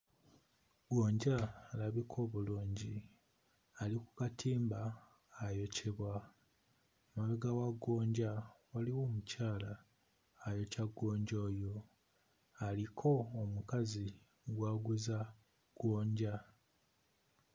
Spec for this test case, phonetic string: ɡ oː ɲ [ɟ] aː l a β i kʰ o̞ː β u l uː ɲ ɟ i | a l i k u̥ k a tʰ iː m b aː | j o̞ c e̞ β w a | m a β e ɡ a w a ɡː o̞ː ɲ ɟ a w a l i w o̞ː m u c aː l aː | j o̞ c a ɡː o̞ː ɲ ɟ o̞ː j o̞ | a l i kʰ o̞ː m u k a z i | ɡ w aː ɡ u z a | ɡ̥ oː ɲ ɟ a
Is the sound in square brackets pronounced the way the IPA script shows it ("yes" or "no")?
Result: yes